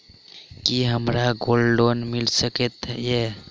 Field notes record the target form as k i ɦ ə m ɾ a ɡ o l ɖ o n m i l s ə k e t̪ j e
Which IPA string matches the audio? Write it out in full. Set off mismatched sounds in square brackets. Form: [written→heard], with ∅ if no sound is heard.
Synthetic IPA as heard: k i ɦ ə m ɾ a ɡ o l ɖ o n m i l s ə k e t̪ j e